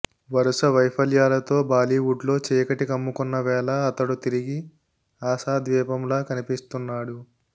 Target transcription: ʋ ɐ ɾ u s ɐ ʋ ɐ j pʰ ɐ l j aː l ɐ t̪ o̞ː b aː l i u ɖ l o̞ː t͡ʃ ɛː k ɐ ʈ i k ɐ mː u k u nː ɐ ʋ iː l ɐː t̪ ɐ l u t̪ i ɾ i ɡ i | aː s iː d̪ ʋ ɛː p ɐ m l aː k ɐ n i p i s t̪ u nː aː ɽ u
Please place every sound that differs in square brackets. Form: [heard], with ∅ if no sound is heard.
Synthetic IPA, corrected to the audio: ʋ ɐ ɾ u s ɐ ʋ ɐ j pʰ ɐ l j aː l ɐ t̪ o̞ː b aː l i u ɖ l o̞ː t͡ʃ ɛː k ɐ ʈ i k ɐ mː u k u nː ɐ ʋ [ɛː] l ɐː t̪ ɐ [ɽ] u t̪ i ɾ i ɡ i | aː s [aː] d̪ ʋ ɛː p ɐ m l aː k ɐ n i p i s t̪ u nː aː ɽ u